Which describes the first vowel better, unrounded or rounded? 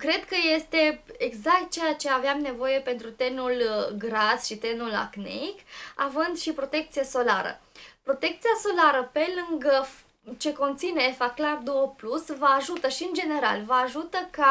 unrounded